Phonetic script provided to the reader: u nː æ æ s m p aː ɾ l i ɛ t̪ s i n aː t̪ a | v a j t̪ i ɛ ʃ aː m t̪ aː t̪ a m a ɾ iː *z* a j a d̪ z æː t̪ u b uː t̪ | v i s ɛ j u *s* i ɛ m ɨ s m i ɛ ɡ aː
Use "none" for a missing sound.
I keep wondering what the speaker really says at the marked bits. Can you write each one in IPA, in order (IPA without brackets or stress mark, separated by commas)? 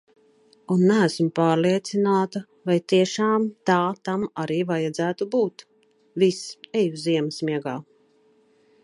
v, z